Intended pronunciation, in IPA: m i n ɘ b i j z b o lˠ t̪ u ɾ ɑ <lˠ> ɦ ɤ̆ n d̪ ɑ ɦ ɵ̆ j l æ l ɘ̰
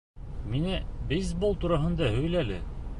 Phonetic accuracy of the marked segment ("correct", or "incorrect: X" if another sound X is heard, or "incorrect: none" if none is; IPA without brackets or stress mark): incorrect: none